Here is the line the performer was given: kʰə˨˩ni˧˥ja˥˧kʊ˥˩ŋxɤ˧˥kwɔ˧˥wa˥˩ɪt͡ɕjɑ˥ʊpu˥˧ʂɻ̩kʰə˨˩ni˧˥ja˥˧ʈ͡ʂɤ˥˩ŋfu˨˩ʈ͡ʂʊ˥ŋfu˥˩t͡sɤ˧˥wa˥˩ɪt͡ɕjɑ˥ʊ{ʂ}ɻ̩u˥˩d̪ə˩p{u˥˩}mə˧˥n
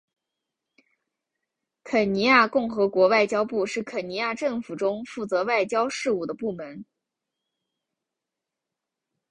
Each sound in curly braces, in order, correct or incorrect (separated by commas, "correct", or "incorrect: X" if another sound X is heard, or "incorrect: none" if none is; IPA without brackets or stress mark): correct, correct